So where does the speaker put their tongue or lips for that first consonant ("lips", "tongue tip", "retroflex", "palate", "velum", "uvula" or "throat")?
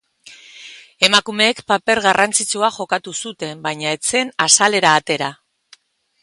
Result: lips